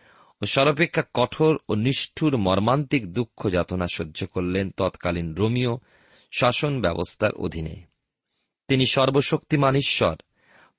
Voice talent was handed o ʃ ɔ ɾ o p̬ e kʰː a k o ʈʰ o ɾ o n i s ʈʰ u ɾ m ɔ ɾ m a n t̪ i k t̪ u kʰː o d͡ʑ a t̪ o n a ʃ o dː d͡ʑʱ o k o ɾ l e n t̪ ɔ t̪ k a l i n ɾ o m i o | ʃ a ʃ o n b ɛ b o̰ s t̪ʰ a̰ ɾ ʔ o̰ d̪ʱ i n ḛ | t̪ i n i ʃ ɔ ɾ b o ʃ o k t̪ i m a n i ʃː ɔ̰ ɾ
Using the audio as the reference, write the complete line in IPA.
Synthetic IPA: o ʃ ɔ ɾ o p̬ e kʰː a k ɔ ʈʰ o ɾ o n i ʃ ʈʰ u ɾ m ɔ ɾ m a n t̪ i k d̪ u kʰː o d͡ʑ a t̪ o n a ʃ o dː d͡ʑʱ o k o ɾ l e n t̪ ɔ t̪ k a l i n ɾ o m i o | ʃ a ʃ o n b ɛ b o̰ s t̪ʰ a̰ ɾ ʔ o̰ d̪ʱ i n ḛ | t̪ i n i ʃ ɔ ɾ b o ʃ o k t̪ i m a n i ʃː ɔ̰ ɾ